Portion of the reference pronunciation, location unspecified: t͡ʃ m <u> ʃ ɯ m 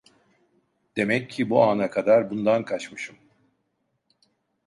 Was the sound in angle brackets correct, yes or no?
no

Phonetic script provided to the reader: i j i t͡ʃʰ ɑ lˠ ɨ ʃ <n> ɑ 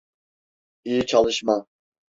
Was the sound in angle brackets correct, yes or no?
no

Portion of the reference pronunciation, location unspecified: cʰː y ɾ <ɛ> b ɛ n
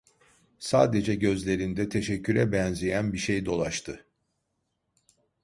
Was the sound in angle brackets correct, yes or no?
yes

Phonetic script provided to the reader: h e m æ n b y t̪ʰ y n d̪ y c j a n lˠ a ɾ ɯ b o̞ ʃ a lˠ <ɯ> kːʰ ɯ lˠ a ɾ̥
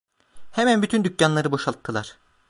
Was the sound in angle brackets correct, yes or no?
yes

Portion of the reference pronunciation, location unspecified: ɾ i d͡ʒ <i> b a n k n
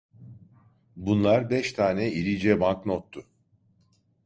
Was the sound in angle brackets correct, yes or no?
no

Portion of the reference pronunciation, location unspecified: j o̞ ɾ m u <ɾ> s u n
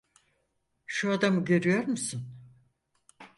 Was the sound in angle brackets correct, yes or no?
no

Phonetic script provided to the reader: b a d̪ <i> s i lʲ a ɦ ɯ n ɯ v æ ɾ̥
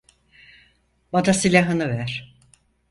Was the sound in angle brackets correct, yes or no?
no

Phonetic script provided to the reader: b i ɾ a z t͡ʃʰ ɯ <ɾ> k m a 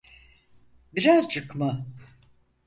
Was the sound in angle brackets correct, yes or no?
no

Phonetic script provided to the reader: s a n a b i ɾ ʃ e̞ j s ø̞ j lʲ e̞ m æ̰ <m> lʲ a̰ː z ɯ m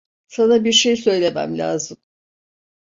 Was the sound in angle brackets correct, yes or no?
yes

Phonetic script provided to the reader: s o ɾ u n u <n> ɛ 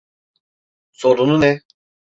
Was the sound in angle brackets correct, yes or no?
yes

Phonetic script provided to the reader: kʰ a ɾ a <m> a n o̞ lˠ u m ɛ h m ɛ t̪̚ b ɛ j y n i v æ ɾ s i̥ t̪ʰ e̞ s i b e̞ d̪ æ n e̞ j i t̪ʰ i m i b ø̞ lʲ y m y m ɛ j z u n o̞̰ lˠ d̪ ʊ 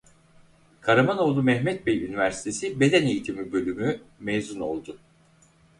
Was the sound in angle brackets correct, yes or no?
yes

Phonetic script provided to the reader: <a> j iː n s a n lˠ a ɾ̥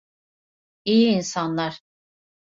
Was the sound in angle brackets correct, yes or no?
no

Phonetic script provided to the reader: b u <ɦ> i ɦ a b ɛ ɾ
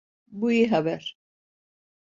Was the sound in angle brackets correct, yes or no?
no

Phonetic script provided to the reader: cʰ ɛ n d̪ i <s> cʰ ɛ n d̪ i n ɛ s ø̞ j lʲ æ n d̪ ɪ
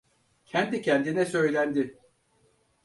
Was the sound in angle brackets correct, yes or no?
no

